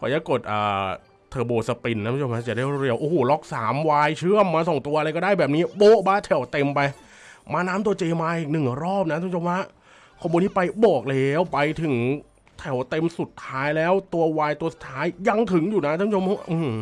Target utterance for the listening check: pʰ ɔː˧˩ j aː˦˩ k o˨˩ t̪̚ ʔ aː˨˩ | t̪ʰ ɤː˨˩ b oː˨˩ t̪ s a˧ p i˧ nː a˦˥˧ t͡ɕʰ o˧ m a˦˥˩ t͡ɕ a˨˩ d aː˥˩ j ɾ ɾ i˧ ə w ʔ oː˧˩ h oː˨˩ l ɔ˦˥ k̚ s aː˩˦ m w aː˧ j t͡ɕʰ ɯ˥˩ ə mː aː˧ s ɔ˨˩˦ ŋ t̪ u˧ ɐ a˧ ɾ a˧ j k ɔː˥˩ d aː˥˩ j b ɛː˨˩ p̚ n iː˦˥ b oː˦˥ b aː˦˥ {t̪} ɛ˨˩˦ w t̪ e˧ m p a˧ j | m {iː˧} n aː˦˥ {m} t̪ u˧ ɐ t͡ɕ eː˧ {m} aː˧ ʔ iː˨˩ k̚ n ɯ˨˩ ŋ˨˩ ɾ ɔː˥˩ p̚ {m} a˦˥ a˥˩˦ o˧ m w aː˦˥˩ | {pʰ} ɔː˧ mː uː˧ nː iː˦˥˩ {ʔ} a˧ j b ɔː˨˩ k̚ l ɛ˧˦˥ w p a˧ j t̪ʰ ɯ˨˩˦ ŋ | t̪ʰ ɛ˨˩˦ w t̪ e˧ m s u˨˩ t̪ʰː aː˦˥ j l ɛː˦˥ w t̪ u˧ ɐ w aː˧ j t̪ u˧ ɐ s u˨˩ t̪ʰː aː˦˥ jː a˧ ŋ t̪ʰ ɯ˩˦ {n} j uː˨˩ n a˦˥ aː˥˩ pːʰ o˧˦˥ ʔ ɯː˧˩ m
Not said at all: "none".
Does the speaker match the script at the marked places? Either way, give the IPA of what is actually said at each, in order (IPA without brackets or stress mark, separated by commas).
t̪ʰ, aː˧, m, m, n, kʰ, p, ŋ